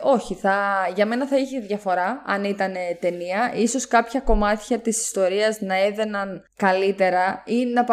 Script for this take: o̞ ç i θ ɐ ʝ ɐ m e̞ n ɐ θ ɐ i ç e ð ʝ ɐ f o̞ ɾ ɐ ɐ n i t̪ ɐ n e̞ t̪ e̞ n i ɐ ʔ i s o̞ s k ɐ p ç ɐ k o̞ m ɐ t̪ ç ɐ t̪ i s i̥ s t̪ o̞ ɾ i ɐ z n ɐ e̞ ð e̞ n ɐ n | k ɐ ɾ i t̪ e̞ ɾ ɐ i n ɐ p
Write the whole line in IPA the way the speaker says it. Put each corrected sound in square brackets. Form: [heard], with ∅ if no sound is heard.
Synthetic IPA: o̞ ç i θ ɐ ʝ ɐ m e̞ n ɐ θ ɐ i ç e ð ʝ ɐ f o̞ ɾ ɐ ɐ n i t̪ ɐ n e̞ t̪ e̞ n i ɐ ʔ i s o̞ s k ɐ p ç ɐ k o̞ m ɐ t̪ ç ɐ t̪ i s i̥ s t̪ o̞ ɾ i ɐ z n ɐ e̞ ð e̞ n ɐ n | k ɐ [l] i t̪ e̞ ɾ ɐ i n ɐ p